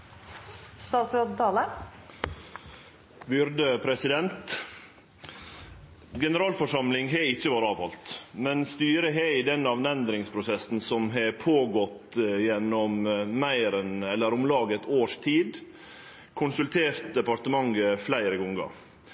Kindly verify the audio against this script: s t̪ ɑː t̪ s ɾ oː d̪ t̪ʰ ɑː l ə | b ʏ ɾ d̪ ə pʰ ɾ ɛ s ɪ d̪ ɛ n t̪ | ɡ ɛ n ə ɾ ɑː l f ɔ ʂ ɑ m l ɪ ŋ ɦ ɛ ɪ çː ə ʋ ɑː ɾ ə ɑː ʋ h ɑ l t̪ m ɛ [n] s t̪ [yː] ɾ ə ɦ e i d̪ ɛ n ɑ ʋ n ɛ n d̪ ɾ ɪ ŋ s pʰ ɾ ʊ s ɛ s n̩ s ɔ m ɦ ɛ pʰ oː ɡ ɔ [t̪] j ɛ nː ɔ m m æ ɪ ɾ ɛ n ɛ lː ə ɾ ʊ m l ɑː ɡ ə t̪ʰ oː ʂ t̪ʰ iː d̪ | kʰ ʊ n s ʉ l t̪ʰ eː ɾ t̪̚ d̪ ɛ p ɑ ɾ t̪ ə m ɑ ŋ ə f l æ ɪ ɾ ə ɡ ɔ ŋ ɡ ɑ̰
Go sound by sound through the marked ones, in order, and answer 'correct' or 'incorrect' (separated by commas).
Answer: correct, correct, correct